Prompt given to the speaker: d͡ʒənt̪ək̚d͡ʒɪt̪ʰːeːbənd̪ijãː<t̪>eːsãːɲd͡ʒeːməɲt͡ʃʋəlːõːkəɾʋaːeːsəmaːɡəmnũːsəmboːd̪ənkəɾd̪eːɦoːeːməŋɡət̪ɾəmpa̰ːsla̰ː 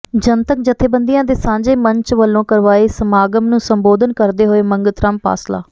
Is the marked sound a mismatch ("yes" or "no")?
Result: yes